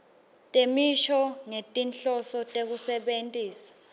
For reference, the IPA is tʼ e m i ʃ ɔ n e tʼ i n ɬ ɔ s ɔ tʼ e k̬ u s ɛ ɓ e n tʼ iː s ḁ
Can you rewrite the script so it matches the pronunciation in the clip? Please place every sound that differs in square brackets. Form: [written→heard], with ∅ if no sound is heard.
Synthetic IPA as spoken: tʼ e m i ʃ ɔ [n→ŋ] e tʼ i n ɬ ɔ s ɔ tʼ e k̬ u s ɛ ɓ e n tʼ iː s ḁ